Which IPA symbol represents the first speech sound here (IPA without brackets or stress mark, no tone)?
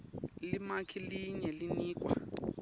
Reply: l